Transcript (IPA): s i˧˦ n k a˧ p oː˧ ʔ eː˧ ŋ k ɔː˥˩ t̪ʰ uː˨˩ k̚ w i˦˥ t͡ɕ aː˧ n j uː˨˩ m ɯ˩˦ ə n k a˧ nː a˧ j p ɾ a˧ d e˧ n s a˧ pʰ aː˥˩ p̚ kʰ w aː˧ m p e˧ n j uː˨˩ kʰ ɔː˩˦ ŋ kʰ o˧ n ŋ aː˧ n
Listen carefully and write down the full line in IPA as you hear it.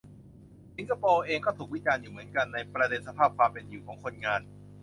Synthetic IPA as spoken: s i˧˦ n k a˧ p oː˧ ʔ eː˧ ŋ k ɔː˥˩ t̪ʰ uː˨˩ k̚ w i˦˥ t͡ɕ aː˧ n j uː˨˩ m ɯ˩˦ ə n k a˧ nː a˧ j p ɾ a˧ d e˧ n s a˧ pʰ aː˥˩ p̚ kʰ w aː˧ m p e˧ n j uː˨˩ kʰ ɔː˩˦ ŋ kʰ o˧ n ŋ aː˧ n